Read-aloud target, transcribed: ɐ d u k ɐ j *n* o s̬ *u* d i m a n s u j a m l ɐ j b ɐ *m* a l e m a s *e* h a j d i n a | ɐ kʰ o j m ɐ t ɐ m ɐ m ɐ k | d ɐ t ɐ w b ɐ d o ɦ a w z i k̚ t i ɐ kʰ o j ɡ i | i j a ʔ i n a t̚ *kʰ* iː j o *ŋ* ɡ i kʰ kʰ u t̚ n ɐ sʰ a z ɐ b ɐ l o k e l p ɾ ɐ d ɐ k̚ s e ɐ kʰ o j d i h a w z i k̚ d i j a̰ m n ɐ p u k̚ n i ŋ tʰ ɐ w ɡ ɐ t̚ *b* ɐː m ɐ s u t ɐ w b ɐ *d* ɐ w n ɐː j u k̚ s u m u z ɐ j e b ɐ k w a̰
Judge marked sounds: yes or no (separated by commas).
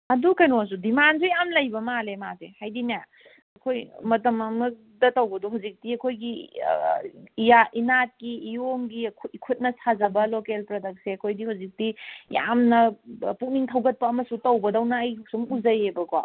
yes, yes, yes, yes, no, yes, no, yes